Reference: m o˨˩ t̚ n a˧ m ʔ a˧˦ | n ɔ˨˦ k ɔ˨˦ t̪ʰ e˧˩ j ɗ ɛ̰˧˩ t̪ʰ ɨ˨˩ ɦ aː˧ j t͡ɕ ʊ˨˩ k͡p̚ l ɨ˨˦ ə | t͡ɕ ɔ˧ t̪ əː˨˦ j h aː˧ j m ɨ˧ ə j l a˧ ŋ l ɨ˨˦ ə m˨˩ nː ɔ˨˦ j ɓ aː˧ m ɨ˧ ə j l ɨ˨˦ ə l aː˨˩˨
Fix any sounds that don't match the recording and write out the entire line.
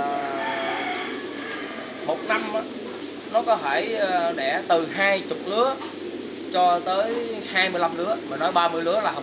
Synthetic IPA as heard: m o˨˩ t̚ n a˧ m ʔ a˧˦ | n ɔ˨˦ k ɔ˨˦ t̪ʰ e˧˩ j ɗ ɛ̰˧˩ t̪ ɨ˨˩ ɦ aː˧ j t͡ɕ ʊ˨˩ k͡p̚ l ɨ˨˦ ə | t͡ɕ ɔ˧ t̪ əː˨˦ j h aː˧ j m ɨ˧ ə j l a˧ m l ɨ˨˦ ə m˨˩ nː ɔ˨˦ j ɓ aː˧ m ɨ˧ ə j l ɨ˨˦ ə l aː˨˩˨